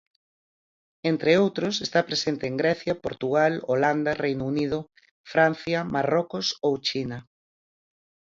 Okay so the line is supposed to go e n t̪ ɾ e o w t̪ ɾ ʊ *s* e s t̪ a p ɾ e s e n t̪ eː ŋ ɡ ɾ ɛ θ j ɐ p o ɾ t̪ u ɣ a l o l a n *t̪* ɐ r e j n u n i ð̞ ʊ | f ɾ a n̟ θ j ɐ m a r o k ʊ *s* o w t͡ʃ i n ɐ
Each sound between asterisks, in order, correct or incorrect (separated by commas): correct, incorrect, correct